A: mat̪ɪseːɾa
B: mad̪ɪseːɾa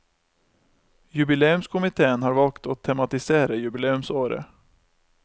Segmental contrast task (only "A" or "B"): A